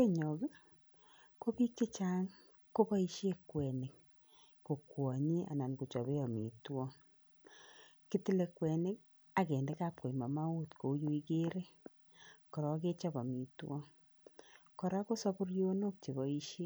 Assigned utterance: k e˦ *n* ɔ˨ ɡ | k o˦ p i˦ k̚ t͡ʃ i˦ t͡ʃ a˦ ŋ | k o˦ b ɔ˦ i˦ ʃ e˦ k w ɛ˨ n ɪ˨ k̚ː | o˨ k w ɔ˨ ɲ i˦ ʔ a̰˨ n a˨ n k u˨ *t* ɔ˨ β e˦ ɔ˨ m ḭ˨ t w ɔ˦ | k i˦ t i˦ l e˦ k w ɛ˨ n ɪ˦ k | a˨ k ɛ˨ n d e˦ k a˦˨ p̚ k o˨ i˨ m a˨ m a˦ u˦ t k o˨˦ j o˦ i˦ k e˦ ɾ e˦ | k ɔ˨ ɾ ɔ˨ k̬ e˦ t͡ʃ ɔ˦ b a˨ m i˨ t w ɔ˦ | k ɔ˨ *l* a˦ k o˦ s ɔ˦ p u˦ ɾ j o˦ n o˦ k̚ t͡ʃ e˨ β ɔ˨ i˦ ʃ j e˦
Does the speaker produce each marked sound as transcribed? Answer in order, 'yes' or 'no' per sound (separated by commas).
no, no, no